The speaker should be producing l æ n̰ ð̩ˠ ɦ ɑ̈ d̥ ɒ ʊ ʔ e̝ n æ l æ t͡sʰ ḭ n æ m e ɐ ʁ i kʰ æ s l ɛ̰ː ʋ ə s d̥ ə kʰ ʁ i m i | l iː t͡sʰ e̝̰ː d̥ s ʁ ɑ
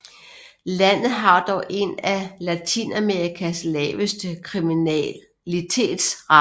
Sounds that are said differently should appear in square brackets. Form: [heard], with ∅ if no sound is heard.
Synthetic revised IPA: l æ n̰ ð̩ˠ ɦ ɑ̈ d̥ ɒ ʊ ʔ e̝ n æ l æ t͡sʰ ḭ n æ m e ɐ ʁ i kʰ æ s l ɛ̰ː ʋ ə s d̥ ə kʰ ʁ i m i | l [i] t͡sʰ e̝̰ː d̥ s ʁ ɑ